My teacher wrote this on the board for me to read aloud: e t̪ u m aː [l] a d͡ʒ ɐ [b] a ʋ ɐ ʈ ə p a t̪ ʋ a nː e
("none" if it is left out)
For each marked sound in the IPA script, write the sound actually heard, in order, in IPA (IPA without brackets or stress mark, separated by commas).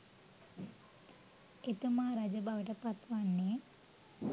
ɾ, b